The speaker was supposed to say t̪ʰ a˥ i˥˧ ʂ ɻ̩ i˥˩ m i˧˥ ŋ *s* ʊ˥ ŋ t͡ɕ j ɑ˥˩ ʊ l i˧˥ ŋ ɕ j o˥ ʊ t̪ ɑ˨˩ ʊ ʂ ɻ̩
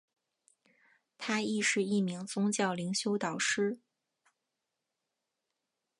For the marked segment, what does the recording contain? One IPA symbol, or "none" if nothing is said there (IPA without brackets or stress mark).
t͡s